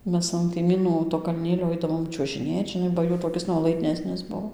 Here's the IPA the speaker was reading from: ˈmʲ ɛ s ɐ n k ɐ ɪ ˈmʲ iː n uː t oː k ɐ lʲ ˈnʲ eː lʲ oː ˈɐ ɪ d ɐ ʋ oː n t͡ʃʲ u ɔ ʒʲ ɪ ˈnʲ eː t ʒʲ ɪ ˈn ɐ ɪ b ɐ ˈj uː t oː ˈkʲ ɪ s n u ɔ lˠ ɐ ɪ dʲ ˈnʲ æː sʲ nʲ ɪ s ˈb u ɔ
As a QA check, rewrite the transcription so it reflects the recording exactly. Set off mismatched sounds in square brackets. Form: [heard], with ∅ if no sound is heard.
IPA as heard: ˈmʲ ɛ s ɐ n k ɐ ɪ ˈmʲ iː n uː t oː k ɐ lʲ ˈnʲ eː lʲ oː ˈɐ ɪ d ɐ ʋ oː [m] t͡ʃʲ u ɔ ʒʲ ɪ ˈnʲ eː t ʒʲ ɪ ˈn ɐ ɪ b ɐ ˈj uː t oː ˈkʲ ɪ s n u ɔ lˠ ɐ ɪ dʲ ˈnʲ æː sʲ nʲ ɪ s ˈb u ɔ